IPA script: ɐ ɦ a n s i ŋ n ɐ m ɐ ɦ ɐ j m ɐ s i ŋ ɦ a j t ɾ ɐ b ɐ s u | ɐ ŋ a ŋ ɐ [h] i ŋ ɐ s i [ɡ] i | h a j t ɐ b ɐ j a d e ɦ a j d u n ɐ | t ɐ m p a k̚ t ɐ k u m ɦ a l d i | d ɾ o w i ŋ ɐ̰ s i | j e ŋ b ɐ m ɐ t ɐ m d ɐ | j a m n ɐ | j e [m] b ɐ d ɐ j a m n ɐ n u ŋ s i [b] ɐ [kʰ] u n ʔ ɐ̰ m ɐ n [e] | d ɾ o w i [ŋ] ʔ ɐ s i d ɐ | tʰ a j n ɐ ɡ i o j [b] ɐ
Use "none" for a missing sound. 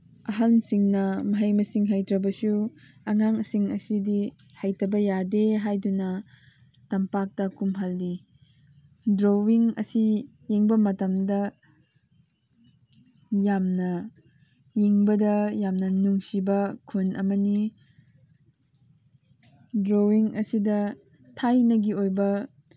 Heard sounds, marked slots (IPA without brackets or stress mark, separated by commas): s, d, ŋ, b, kʰ, i, ŋ, b